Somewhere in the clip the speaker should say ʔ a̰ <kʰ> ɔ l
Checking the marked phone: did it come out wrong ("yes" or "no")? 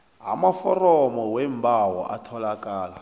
yes